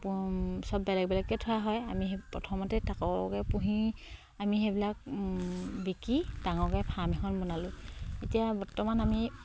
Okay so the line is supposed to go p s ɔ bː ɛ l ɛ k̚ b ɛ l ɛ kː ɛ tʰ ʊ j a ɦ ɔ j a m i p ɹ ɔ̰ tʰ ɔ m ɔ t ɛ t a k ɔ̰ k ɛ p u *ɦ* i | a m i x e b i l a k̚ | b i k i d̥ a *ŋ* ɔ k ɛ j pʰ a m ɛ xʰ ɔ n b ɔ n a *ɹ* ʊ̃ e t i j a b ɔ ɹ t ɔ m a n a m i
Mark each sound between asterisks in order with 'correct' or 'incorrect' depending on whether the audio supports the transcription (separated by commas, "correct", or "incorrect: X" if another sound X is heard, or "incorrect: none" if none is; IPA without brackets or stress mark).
correct, correct, incorrect: l